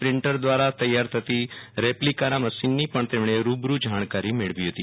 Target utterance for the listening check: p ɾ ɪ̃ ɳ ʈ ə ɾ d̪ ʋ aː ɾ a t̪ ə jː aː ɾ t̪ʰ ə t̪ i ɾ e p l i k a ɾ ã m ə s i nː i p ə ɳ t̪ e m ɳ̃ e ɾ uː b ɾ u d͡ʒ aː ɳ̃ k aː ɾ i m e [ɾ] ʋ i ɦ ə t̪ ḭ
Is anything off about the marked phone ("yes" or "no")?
yes